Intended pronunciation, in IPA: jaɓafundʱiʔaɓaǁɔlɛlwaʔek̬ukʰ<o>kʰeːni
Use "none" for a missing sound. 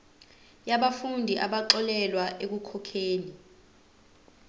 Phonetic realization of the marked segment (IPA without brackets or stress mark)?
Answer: ɔ